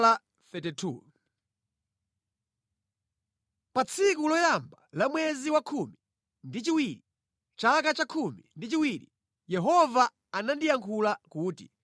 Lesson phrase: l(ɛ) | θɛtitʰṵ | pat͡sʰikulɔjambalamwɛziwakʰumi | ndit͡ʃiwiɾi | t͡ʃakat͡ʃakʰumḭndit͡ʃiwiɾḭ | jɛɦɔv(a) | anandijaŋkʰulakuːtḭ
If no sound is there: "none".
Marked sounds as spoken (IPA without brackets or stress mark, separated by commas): a, a